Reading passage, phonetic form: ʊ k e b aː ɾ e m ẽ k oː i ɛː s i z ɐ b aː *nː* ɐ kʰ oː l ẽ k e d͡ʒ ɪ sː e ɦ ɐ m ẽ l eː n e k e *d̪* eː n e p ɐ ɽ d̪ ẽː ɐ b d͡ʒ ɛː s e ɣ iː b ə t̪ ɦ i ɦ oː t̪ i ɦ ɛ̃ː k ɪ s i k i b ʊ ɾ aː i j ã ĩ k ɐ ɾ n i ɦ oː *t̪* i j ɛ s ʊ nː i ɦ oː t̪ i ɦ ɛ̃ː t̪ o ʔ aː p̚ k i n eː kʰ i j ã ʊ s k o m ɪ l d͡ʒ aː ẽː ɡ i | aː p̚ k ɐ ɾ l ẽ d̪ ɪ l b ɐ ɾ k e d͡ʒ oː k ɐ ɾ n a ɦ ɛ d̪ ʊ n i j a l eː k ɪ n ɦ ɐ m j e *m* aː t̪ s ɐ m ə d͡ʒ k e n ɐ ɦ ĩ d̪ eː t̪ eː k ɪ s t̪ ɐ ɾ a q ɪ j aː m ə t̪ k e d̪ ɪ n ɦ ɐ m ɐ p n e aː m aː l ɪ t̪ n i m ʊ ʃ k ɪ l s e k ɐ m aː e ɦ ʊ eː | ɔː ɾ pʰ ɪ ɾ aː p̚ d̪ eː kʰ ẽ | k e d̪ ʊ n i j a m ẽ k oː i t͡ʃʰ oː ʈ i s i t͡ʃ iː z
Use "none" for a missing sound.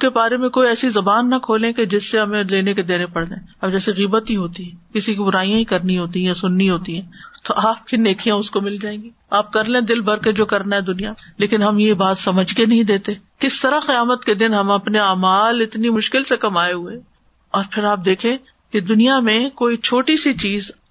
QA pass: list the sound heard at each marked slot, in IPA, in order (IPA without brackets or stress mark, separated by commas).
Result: nː, d̪, t̪, b